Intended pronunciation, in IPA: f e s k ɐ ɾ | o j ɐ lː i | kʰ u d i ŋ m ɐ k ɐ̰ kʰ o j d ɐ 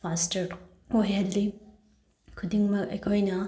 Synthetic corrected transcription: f a s t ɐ ɾ | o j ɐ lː i | kʰ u d i ŋ m ɐ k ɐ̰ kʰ o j n ɐ